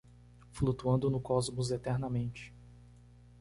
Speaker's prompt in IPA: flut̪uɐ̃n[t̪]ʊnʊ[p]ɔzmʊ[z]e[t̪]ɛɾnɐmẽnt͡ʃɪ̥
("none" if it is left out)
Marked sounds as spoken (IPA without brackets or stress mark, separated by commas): d̪, k, z, t̪